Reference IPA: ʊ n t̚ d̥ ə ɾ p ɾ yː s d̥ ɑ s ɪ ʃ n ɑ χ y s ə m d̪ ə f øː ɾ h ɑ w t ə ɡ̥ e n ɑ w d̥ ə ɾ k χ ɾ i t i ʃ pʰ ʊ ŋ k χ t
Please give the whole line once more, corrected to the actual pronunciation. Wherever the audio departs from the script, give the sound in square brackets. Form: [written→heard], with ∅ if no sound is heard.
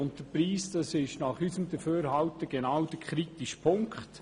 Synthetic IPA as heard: ʊ n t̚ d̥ ə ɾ p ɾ [yː→iː] s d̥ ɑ s ɪ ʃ n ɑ χ y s ə m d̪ ə f øː ɾ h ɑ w t ə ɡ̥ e n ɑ w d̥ ə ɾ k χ ɾ i t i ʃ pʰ ʊ ŋ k χ t